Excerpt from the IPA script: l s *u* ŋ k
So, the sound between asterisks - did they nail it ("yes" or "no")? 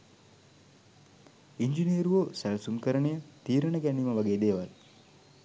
yes